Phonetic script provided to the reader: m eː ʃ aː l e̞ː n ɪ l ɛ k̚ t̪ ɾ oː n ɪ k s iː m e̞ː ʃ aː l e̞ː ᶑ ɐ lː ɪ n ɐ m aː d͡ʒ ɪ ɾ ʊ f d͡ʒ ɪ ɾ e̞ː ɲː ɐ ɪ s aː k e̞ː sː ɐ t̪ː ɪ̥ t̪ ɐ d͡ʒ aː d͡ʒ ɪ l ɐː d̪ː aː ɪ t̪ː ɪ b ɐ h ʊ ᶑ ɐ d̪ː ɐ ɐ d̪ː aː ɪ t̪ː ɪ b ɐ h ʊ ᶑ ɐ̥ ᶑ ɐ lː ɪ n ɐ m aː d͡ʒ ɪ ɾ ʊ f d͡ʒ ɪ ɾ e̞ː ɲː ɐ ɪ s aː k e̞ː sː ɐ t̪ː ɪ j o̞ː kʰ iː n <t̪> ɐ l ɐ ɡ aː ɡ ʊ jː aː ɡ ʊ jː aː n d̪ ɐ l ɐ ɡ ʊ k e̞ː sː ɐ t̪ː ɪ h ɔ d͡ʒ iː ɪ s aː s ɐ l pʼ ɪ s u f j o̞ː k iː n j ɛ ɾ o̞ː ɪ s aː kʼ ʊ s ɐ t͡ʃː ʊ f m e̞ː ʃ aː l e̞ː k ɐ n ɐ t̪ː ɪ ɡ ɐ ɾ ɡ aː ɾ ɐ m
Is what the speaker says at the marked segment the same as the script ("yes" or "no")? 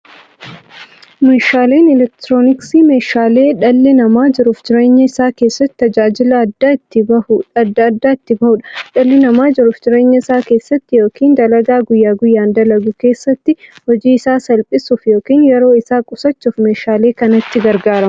no